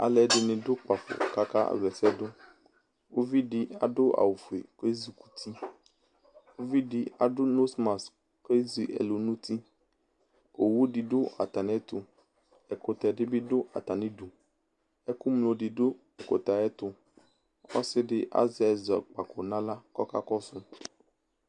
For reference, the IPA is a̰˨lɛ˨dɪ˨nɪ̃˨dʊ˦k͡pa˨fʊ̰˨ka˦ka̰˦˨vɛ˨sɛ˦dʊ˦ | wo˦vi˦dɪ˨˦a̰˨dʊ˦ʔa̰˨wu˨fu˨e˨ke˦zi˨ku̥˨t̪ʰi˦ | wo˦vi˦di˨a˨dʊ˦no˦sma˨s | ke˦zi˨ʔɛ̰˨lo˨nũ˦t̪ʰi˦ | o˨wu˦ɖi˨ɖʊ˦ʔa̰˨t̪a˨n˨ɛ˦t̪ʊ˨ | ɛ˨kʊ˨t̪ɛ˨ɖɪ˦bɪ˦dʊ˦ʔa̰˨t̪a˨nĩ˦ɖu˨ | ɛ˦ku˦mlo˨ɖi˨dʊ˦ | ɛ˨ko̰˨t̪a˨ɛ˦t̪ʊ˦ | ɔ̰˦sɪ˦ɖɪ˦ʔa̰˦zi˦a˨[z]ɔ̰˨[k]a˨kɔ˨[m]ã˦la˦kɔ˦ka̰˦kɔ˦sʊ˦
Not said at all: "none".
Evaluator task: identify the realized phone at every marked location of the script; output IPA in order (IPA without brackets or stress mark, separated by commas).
z, k͡p, n